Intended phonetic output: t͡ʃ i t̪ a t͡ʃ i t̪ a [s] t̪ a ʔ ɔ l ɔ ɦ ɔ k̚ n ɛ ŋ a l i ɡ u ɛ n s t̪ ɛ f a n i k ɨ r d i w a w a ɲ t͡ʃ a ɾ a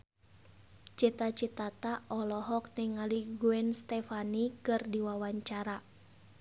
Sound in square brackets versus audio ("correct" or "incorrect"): incorrect